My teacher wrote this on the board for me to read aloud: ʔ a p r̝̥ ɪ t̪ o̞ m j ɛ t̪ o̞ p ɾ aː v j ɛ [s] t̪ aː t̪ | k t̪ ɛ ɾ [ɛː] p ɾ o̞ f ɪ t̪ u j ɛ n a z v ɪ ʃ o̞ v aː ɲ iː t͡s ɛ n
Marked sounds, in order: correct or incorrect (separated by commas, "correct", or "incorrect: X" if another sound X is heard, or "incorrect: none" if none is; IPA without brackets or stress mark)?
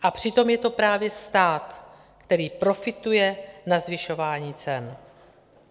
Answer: correct, incorrect: iː